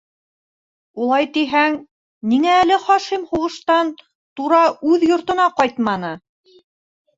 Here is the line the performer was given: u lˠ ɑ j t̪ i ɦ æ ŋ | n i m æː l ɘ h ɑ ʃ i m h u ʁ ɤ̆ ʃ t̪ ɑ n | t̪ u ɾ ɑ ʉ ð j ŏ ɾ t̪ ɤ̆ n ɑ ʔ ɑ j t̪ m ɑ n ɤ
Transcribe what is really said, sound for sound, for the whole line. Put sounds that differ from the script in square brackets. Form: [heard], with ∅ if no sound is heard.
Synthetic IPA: u lˠ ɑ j t̪ i ɦ æ ŋ | n i [ŋ] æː l ɘ [χ] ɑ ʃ i m h u ʁ ɤ̆ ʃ t̪ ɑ n | t̪ u ɾ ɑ ʉ ð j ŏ ɾ t̪ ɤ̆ n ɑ [q] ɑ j t̪ m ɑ n ɤ